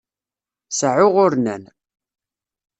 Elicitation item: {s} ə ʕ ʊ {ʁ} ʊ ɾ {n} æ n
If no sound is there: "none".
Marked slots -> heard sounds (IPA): s, ʁ, n

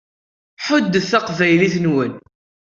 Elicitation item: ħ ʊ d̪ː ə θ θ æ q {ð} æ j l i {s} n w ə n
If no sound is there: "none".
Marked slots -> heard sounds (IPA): v, θ

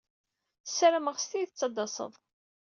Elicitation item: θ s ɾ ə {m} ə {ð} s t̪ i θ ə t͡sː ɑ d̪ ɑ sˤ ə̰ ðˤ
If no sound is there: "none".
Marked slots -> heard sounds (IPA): m, ʁ

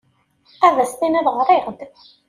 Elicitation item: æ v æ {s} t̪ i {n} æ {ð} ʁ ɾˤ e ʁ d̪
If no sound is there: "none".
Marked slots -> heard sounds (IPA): s, n, ð

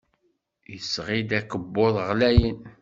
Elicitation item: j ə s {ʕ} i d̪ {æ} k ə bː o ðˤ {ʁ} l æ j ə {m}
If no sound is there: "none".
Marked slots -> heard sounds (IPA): ʁ, æ, ʁ, n

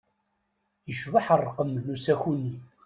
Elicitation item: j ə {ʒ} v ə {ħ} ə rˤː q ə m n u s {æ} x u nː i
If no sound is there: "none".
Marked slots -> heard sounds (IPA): ʃ, ħ, æ

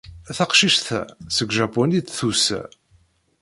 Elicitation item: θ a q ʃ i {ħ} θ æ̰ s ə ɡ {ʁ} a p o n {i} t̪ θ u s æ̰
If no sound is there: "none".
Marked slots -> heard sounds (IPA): ʃ, ʒ, i

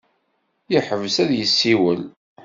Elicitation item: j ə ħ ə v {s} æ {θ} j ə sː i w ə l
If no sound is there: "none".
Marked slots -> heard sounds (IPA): s, ð

